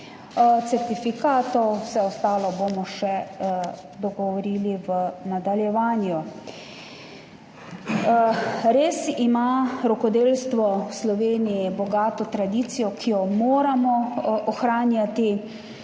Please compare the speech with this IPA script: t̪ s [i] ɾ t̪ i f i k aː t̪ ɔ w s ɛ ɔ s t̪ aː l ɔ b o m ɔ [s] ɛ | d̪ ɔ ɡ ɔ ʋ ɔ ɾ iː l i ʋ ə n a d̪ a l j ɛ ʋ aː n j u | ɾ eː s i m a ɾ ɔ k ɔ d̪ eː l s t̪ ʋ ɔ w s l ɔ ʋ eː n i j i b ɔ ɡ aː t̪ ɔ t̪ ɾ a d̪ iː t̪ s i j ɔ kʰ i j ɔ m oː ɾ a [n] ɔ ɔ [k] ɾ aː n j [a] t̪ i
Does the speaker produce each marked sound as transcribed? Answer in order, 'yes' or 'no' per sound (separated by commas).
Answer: no, no, no, no, yes